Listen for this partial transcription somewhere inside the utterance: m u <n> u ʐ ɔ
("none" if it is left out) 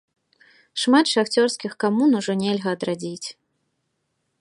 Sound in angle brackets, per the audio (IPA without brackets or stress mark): n